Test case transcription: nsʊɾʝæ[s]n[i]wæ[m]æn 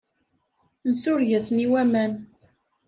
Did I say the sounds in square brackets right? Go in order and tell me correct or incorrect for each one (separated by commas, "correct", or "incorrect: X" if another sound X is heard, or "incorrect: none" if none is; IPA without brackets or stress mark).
correct, correct, correct